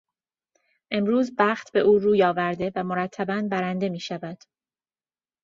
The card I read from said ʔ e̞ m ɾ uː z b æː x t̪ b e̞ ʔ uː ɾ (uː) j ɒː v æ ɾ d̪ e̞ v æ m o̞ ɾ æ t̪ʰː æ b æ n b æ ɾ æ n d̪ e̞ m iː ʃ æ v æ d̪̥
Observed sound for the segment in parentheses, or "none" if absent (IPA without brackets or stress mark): uː